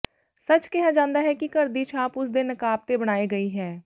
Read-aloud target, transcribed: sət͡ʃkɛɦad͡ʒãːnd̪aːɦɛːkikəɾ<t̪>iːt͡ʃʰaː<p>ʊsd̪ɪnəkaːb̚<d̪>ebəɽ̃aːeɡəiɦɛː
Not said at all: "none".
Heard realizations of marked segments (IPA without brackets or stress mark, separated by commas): d̪, p, t̪